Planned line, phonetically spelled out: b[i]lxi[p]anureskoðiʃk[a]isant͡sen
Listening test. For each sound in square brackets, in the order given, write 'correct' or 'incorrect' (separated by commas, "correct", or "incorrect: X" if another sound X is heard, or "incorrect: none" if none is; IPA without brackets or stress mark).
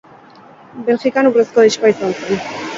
incorrect: e, incorrect: k, correct